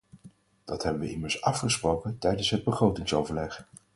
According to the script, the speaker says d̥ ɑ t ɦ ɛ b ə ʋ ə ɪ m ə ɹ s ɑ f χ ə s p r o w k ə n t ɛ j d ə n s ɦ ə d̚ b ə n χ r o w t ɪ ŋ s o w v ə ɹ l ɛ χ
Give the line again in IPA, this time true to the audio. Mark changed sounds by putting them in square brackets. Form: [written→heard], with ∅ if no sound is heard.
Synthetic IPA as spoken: d̥ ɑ t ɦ ɛ b ə ʋ ə ɪ m ə ɹ s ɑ f χ ə s p r o w k ə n t ɛ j d ə n s ɦ ə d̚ b ə [n→∅] χ r o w t ɪ ŋ s o w v ə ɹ l ɛ χ